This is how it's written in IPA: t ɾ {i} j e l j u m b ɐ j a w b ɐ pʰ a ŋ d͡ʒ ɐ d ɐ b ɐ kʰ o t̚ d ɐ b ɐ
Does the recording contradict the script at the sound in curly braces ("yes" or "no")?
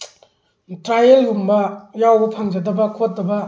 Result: yes